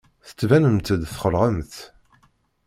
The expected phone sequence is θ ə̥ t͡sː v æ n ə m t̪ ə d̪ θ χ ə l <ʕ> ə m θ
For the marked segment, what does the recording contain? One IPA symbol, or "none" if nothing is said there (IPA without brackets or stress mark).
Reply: ʁ